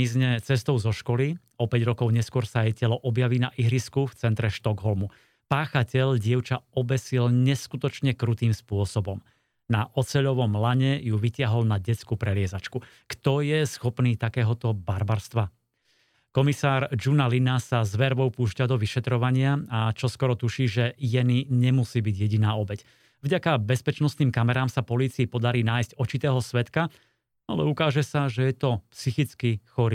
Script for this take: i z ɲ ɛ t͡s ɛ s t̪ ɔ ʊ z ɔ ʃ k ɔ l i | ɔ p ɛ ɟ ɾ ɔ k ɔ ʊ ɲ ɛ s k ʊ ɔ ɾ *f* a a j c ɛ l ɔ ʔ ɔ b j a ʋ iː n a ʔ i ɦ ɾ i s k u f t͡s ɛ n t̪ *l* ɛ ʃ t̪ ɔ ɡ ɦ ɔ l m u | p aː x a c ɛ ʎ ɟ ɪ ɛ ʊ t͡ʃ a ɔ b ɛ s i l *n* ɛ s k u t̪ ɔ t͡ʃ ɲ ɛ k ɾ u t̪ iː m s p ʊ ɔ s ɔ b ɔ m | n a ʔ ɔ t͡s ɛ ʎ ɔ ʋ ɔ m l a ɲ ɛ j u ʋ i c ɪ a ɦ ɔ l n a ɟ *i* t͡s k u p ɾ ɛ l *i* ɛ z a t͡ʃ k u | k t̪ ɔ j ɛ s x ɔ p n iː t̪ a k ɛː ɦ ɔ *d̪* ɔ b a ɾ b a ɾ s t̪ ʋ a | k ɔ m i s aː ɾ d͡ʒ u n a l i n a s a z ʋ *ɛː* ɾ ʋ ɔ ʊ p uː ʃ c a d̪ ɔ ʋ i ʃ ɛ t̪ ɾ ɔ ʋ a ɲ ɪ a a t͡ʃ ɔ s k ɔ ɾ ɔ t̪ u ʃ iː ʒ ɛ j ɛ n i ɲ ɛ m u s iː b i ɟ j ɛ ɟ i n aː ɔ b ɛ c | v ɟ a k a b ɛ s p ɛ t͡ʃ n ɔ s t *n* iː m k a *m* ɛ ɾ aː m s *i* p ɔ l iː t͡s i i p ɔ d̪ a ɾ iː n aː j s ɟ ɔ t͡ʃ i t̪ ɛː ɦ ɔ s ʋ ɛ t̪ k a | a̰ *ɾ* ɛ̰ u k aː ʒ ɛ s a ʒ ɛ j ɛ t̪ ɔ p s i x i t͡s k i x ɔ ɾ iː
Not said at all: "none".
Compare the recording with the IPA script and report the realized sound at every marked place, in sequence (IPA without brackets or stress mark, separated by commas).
s, ɾ, ɲ, ɛ, ɪ, t̪, ɛ, n, m, a, l